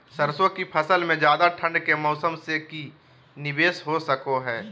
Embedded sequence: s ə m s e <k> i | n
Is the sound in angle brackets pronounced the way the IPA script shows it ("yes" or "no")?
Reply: yes